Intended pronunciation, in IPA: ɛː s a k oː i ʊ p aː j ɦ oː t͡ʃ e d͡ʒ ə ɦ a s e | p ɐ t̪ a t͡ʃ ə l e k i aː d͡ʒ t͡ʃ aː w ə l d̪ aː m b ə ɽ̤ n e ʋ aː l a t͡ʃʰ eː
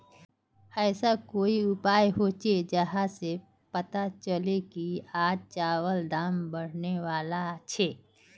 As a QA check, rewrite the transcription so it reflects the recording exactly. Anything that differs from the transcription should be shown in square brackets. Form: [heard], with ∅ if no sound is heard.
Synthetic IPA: ɛː s a k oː i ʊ p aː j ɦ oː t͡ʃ e d͡ʒ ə ɦ a s e | p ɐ t̪ a t͡ʃ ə l e k i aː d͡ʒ t͡ʃ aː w ə l d̪ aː m b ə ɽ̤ n e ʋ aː l a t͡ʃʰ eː

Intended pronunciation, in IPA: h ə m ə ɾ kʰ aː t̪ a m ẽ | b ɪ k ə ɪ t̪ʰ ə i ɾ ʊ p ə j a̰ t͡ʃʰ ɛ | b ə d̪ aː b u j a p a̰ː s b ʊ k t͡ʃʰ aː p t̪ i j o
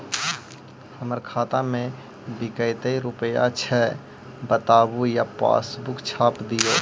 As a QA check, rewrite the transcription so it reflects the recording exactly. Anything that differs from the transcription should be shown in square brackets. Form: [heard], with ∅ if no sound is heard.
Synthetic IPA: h ə m ə ɾ kʰ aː t̪ a m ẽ | b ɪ k ə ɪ [t̪] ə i ɾ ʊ p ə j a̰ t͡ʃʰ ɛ | b ə [t̪] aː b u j a p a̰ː s b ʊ k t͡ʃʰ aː p [d̪] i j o

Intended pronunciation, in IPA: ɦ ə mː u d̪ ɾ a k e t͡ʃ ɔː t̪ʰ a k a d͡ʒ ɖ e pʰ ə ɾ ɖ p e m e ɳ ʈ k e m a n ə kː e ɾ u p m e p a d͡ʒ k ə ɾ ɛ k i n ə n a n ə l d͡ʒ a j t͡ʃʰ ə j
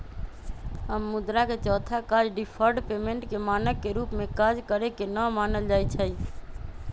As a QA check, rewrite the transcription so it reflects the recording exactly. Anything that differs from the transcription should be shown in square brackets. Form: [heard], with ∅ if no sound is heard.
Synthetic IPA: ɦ ə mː u d̪ ɾ a k e t͡ʃ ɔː t̪ʰ a k a d͡ʒ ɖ [i] pʰ ə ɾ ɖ p e m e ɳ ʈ k e m a n ə kː e ɾ u p m e [k] a d͡ʒ k ə ɾ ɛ k [e] n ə [m] a n ə l d͡ʒ a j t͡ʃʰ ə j

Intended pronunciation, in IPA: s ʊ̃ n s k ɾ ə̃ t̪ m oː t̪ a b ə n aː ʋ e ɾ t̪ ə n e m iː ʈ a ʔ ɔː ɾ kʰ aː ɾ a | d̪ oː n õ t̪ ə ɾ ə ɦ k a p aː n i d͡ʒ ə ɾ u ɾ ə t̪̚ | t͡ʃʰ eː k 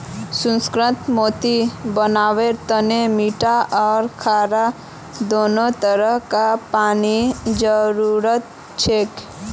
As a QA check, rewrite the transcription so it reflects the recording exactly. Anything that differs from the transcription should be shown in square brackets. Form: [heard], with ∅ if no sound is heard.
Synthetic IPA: s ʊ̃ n s k ɾ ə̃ t̪ m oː t̪ [i] b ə n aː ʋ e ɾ t̪ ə n e m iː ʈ a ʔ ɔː ɾ kʰ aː ɾ a | d̪ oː n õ t̪ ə ɾ ə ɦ k a p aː n i d͡ʒ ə ɾ u ɾ ə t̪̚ | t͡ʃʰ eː k

